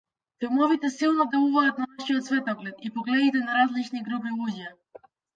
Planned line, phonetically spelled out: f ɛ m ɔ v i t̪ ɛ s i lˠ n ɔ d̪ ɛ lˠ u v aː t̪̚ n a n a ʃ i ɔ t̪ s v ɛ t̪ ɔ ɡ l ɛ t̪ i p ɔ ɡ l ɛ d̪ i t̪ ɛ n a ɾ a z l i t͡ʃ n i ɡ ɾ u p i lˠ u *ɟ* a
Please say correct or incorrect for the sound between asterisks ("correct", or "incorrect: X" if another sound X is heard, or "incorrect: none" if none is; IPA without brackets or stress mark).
correct